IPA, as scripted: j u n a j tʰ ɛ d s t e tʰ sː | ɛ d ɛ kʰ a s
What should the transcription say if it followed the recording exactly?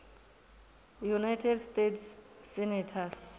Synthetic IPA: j u n a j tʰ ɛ d s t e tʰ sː | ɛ n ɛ tʰ a s